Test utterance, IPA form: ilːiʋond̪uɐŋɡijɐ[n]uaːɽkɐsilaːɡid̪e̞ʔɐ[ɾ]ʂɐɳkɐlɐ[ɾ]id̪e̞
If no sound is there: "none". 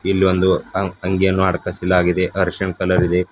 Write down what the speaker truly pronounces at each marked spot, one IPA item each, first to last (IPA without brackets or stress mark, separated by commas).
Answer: nː, ɾ, ɾ